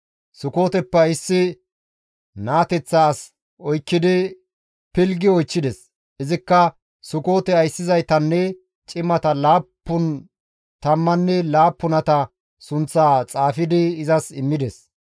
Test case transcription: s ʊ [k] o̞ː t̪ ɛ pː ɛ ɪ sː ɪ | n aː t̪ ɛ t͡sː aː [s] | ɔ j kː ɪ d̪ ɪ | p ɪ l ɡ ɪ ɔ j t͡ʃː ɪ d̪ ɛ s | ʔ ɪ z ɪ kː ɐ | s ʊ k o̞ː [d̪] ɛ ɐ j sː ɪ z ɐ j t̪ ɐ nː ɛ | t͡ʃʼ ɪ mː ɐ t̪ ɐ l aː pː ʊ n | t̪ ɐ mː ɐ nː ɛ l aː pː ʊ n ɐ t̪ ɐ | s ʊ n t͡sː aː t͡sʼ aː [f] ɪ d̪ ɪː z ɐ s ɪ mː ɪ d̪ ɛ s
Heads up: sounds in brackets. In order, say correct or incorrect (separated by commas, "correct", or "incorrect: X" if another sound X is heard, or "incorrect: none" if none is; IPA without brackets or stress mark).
correct, correct, incorrect: t̪, correct